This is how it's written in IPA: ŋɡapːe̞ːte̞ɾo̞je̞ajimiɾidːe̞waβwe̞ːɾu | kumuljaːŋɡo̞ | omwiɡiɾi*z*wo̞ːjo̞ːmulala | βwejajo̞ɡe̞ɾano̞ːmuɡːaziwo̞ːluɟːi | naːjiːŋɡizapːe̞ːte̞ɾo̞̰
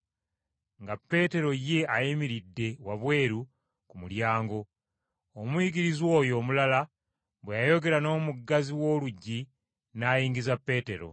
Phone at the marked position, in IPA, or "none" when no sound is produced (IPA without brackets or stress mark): z